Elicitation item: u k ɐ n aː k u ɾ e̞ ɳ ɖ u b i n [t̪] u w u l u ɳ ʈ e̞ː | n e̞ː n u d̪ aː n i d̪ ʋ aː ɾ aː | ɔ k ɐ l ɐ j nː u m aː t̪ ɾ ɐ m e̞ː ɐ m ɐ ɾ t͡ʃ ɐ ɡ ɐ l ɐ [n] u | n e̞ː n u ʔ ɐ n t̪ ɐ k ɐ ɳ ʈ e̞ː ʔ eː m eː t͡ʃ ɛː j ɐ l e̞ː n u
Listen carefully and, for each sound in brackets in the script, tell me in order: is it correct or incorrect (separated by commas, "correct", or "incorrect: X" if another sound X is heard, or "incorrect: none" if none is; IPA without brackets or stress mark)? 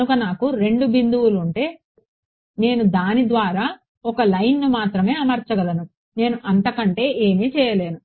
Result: incorrect: d̪, correct